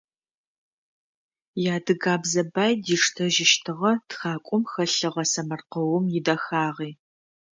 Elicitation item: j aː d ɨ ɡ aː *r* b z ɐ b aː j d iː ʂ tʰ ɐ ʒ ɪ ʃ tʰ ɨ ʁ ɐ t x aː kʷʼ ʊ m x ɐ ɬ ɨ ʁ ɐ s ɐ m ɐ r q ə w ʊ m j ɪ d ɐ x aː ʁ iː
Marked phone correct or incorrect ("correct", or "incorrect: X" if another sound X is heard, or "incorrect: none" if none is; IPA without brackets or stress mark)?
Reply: incorrect: none